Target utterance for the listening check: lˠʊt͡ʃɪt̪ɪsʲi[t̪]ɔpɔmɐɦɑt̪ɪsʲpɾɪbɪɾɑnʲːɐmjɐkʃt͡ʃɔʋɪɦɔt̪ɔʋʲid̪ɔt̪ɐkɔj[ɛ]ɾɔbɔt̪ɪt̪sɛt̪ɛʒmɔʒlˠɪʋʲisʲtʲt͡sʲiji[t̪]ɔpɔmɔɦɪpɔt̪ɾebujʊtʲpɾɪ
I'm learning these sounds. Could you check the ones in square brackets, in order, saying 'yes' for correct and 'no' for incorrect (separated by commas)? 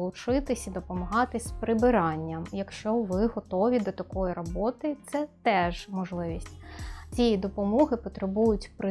no, no, no